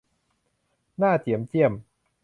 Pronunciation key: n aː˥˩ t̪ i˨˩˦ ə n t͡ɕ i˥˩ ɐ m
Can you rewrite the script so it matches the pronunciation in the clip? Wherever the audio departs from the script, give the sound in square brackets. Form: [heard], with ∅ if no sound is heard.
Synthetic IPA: n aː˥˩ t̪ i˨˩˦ ə [m] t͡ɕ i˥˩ [ə] m